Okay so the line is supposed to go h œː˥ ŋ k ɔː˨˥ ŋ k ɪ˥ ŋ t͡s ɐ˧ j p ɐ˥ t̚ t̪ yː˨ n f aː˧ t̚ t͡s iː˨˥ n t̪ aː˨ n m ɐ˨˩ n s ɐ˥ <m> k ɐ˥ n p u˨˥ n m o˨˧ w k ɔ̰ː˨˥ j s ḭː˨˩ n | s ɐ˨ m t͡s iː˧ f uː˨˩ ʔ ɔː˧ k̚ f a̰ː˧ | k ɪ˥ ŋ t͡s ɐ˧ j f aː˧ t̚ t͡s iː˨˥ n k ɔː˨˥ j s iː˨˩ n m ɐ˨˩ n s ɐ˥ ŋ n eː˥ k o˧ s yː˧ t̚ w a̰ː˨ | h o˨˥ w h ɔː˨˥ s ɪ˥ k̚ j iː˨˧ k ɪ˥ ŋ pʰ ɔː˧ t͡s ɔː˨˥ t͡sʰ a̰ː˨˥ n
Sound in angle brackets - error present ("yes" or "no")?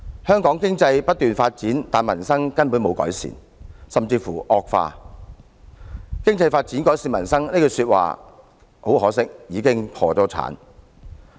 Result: yes